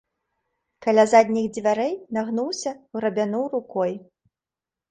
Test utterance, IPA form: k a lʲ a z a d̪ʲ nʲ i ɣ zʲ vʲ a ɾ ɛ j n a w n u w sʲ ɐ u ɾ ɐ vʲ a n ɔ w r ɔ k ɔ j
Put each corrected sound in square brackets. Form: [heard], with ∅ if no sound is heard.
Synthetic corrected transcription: k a lʲ a z a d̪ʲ nʲ i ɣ [d͡zʲ] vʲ a ɾ ɛ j n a [ɣ] n u w sʲ ɐ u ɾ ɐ [bʲ] a n [u] w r [u] k ɔ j

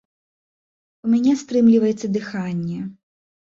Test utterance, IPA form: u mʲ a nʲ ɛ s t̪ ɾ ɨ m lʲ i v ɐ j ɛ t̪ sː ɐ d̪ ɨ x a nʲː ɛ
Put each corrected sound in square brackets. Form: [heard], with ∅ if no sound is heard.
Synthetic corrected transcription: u mʲ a nʲ ɛ s t̪ ɾ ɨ m lʲ i v ɐ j ɛ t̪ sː ɐ d̪ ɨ x a nʲː ɛ

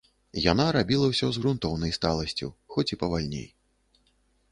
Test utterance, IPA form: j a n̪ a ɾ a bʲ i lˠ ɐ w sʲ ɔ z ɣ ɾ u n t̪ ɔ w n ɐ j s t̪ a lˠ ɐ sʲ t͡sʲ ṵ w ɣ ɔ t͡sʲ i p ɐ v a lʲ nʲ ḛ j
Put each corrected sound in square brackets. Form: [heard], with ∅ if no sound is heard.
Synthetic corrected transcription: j a n̪ a ɾ a bʲ i lˠ ɐ w sʲ ɔ z ɣ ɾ u n t̪ ɔ w n ɐ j s t̪ a lˠ ɐ sʲ t͡sʲ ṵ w [x] ɔ t͡sʲ i p ɐ v a lʲ nʲ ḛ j

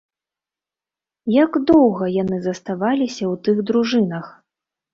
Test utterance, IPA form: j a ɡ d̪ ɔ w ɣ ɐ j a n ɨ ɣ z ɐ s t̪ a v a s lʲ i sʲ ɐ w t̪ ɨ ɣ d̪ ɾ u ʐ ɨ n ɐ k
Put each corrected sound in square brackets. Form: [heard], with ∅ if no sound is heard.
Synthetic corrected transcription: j a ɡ d̪ ɔ w ɣ ɐ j a n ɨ [∅] z ɐ s t̪ a v a [∅] lʲ i sʲ ɐ w t̪ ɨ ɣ d̪ ɾ u ʐ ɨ n ɐ [x]

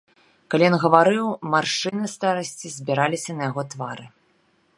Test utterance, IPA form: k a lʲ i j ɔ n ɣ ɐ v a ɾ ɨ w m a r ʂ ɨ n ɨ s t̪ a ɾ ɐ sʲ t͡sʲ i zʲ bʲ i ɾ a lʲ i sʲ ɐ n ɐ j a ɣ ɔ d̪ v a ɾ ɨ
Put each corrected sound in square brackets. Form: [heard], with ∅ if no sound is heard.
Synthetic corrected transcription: k a lʲ i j ɔ n ɣ ɐ v a ɾ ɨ w m a r ʂ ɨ n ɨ s t̪ a ɾ ɐ sʲ t͡sʲ i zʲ bʲ i ɾ a lʲ i sʲ ɐ n ɐ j a ɣ ɔ [t̪] v a ɾ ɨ

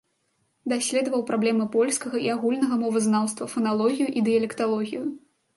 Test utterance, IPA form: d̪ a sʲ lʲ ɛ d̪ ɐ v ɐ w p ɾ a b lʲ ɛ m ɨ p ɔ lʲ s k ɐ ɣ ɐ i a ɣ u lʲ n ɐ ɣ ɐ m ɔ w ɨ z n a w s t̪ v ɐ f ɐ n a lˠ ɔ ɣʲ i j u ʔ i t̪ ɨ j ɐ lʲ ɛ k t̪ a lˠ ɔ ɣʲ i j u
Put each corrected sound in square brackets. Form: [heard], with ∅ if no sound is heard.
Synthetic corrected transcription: d̪ a sʲ lʲ ɛ d̪ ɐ v ɐ w p ɾ a b lʲ ɛ m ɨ p ɔ lʲ s k ɐ ɣ ɐ i a ɣ u lʲ n ɐ ɣ ɐ m ɔ [v] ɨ z n a w s t̪ v ɐ f ɐ n a lˠ ɔ ɣʲ i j u ʔ i [d̪] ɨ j ɐ lʲ ɛ k t̪ a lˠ ɔ ɣʲ i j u

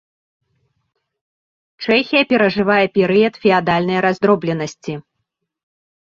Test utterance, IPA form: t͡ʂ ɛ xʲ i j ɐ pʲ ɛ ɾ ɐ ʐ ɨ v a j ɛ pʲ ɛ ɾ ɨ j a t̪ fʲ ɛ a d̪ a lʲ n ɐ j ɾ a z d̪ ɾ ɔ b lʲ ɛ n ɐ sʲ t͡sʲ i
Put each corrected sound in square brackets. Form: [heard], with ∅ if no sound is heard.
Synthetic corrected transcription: t͡ʂ ɛ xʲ i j ɐ pʲ ɛ ɾ ɐ ʐ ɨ v a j ɛ pʲ ɛ ɾ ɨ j [ɐ] t̪ fʲ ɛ a d̪ a lʲ n ɐ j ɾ a z d̪ ɾ ɔ b lʲ ɛ n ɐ sʲ t͡sʲ i

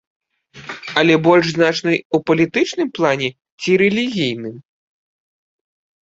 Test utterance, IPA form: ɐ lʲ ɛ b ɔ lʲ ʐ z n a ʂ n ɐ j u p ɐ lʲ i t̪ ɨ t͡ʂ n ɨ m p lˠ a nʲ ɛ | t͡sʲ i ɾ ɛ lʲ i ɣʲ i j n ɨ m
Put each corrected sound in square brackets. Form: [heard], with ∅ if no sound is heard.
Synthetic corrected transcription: ɐ lʲ ɛ b ɔ lʲ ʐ z n a [t͡ʂ] n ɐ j u p ɐ lʲ i t̪ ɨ t͡ʂ n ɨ m p lˠ a nʲ ɛ | t͡sʲ i ɾ ɛ lʲ i ɣʲ i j n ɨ m

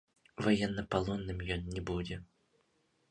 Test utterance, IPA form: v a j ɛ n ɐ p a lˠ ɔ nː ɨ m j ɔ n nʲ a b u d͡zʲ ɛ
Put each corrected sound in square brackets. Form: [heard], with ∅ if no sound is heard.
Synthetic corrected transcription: v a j ɛ [nː] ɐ p a lˠ ɔ nː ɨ m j ɔ n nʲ [ɛ] b u d͡zʲ ɛ

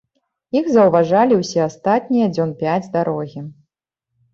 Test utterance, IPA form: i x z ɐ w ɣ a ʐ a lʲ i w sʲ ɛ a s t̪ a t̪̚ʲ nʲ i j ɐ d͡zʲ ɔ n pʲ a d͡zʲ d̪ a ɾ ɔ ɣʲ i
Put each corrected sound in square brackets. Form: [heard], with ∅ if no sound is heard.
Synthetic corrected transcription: i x z ɐ w [v] a ʐ a lʲ i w sʲ ɛ a s t̪ a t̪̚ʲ nʲ i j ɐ d͡zʲ ɔ n pʲ a d͡zʲ d̪ a ɾ ɔ ɣʲ i

